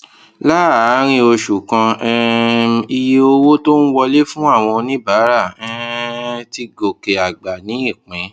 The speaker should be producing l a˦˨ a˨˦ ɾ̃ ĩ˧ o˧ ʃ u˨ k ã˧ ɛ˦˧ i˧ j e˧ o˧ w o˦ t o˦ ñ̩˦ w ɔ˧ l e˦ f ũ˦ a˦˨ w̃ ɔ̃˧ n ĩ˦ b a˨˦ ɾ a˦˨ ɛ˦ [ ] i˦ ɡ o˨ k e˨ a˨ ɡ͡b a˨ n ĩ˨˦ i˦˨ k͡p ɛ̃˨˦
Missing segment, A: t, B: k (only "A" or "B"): A